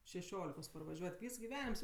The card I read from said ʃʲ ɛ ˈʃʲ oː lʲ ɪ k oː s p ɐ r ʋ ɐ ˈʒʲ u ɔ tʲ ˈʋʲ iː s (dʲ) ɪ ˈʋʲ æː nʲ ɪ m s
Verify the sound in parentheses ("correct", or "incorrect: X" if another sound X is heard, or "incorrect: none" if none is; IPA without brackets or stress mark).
incorrect: ɡʲ